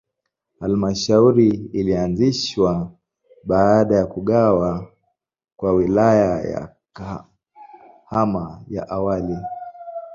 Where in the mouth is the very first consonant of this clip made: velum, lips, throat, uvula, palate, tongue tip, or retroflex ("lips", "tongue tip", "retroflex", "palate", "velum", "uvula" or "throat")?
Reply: throat